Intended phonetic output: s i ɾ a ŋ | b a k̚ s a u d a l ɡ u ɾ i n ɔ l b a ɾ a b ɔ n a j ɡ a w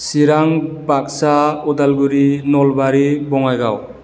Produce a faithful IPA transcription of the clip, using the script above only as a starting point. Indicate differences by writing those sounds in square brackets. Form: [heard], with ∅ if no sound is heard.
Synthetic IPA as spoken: s i ɾ a ŋ | b a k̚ s a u d a l ɡ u ɾ i n ɔ l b a ɾ [i] b ɔ [ŋ] a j ɡ a w